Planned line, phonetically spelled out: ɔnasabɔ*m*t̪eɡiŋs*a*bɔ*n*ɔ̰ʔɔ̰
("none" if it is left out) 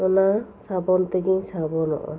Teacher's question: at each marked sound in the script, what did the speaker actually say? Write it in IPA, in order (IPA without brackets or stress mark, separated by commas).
n, a, n